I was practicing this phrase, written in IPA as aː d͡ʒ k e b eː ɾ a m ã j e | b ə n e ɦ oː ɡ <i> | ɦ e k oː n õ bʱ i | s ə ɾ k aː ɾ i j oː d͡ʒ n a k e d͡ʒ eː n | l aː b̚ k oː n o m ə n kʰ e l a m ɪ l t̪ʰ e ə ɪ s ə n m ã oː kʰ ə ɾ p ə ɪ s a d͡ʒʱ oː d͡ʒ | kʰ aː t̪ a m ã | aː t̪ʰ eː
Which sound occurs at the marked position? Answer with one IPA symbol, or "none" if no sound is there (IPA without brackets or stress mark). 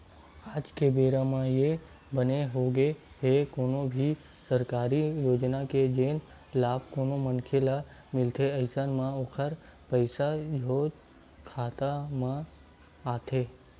e